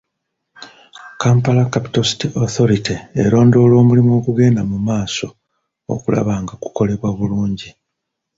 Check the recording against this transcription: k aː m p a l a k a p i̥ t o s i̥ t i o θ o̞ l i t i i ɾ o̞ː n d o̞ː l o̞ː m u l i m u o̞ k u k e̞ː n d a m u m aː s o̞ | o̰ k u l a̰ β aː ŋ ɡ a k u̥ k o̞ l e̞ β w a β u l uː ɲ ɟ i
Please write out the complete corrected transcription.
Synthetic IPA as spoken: k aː m p a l a k a p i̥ t o s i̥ t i o θ o̞ ɾ i t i e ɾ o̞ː n d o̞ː l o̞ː m u l i m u o̞ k u ɡ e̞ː n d a m u m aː s o̞ | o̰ k u l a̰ β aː ŋ ɡ a k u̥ k o̞ l e̞ β w a β u l uː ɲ ɟ i